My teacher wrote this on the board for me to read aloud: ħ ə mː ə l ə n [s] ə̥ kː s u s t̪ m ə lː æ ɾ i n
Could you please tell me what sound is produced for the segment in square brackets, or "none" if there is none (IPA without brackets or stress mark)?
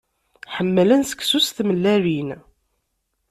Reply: s